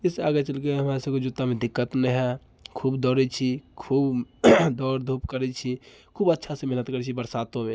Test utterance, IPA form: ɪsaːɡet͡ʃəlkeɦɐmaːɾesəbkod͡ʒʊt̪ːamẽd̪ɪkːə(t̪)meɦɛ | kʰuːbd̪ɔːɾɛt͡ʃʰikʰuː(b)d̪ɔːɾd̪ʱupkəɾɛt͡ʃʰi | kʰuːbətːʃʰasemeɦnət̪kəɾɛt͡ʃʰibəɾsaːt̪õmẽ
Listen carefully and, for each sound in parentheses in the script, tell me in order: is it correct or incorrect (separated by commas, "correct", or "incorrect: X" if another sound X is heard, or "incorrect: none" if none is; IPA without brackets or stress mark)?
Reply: correct, correct